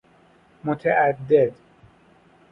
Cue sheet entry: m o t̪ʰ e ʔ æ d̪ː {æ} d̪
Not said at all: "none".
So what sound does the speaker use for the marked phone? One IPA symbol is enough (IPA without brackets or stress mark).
e